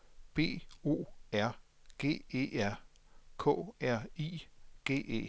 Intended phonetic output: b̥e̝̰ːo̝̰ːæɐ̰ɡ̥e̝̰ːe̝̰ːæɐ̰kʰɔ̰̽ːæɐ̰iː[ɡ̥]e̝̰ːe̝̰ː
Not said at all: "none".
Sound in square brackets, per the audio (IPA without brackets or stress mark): ɡ̥